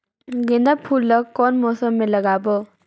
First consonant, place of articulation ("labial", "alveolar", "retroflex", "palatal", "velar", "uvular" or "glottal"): velar